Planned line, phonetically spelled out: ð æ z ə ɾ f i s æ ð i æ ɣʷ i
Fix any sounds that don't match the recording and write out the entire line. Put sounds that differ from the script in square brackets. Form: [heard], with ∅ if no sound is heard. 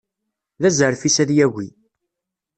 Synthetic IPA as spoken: ð æ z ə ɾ f i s æ ð [j] æ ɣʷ i